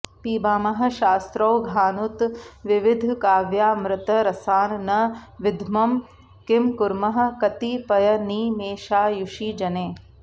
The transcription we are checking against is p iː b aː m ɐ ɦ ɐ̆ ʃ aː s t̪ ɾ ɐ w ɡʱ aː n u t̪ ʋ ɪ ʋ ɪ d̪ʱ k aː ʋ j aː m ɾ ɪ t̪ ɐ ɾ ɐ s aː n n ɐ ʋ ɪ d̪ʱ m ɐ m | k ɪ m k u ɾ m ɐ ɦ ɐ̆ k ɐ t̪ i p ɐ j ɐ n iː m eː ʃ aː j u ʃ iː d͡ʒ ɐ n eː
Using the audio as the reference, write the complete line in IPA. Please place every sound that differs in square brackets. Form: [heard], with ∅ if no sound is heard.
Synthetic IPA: p iː b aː m ɐ ɦ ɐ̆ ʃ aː s t̪ ɾ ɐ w ɡʱ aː n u t̪ ʋ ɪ ʋ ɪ d̪ʱ k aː ʋ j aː m ɾ ɪ t̪ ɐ ɾ ɐ s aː n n ɐ ʋ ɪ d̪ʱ m ɐ m | k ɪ m k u ɾ m ɐ ɦ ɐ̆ k ɐ t̪ i p ɐ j ɐ n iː m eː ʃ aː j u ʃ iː d͡ʒ ɐ n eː